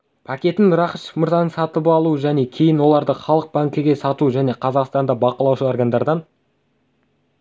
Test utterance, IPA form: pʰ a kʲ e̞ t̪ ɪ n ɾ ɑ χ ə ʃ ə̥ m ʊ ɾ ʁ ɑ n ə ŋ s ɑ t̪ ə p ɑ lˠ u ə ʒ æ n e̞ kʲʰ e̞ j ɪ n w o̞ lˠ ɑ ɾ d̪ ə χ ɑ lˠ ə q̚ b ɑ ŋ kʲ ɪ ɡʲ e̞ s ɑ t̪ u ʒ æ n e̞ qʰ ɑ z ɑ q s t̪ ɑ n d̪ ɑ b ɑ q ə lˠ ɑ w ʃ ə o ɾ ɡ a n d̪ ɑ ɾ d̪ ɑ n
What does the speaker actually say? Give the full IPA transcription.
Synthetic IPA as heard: pʰ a kʲ e̞ t̪ ɪ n ɾ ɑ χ ə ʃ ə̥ m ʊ ɾ z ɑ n ə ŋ s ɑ t̪ ə p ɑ lˠ u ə ʒ æ n e̞ kʲʰ e̞ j ɪ n w o̞ lˠ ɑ ɾ d̪ ə χ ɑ lˠ ə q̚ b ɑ ŋ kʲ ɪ ɡʲ e̞ s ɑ t̪ u ʒ æ n e̞ qʰ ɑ z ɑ q s t̪ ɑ n d̪ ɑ b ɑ q ə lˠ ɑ w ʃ ə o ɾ ɡ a n d̪ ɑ ɾ d̪ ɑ n